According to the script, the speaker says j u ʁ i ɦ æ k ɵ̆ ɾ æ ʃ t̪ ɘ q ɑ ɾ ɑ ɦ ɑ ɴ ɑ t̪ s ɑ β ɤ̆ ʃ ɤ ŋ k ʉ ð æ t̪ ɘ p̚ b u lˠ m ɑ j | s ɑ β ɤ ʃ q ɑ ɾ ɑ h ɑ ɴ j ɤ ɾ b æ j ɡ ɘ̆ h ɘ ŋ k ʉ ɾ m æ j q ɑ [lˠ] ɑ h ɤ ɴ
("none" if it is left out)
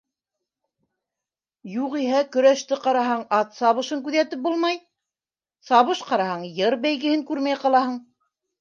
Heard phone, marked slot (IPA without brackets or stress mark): lˠ